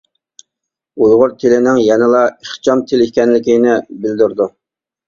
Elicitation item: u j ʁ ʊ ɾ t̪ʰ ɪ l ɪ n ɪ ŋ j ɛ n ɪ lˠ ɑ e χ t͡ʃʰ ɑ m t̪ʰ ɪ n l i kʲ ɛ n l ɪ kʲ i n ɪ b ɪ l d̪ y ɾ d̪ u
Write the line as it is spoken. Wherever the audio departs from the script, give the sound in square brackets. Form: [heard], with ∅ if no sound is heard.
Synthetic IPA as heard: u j ʁ ʊ ɾ t̪ʰ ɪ l ɪ n ɪ ŋ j ɛ n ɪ lˠ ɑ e χ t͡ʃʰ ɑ m t̪ʰ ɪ [∅] l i kʲ ɛ n l ɪ kʲ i n ɪ b ɪ l d̪ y ɾ d̪ u